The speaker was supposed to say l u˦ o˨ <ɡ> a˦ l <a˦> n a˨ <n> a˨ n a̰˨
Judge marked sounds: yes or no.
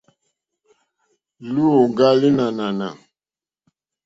yes, no, yes

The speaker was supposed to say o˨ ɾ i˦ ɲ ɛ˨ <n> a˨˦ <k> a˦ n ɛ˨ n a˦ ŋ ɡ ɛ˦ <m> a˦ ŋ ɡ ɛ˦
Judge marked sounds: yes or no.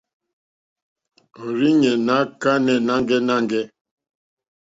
yes, yes, no

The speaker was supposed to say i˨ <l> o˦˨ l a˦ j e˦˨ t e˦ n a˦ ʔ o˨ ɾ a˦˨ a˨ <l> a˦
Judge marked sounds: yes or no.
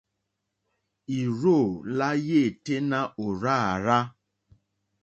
no, no

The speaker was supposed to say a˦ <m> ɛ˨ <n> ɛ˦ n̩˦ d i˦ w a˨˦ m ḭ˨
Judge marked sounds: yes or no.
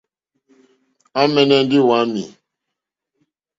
yes, yes

